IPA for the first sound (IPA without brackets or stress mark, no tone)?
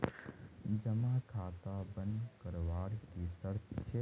d͡ʒ